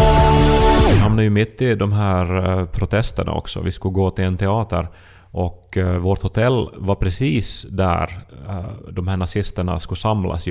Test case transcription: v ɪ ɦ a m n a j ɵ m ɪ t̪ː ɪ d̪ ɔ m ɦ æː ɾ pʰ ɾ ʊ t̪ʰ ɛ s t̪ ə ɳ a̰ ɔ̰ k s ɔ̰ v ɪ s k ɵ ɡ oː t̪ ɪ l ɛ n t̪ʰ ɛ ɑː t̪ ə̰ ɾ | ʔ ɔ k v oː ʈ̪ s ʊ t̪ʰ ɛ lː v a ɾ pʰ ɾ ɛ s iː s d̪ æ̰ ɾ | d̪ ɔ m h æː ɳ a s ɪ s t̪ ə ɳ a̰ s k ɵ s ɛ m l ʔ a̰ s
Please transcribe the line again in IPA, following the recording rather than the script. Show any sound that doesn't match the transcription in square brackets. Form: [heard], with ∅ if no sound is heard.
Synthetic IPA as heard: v ɪ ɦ a m n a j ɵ m ɪ t̪ː ɪ d̪ ɔ m ɦ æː ɾ pʰ ɾ ʊ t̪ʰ ɛ s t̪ ə ɳ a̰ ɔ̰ k s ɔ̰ v ɪ s k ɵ ɡ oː t̪ ɪ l ɛ n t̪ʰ ɛ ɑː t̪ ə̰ ɾ | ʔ ɔ k v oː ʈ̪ [h] ʊ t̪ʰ ɛ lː v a ɾ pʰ ɾ ɛ s iː s d̪ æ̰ ɾ | d̪ ɔ m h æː ɳ a s ɪ s t̪ ə ɳ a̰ s k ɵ s [a] m l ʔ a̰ s